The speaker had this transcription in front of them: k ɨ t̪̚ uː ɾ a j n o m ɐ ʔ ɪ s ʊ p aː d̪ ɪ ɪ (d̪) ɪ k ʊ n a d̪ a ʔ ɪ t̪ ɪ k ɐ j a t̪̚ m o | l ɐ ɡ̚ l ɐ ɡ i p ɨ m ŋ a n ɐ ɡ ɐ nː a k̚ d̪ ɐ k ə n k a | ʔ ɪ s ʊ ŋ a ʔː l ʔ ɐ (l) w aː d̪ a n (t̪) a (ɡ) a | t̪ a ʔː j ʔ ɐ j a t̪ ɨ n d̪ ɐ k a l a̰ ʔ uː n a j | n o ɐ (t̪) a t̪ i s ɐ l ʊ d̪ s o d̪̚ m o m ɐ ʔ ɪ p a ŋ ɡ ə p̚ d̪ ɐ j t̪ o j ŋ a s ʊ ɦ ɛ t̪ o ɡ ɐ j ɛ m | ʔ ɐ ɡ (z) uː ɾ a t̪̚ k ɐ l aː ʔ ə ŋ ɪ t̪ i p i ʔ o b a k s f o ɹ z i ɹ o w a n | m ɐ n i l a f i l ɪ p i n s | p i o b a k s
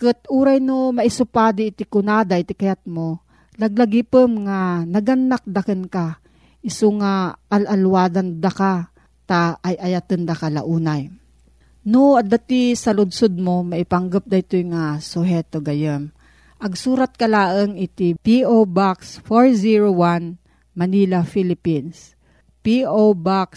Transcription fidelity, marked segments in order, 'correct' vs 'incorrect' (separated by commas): incorrect, correct, incorrect, incorrect, incorrect, incorrect